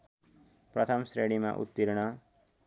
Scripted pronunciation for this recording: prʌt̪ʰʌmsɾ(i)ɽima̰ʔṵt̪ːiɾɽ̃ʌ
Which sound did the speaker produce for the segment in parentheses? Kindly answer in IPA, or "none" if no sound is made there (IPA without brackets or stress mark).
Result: e